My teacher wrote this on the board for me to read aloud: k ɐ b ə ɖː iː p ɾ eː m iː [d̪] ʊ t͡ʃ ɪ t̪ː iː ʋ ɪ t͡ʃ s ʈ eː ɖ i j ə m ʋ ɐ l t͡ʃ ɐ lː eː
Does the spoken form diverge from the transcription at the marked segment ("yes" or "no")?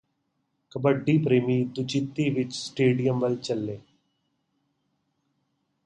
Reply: no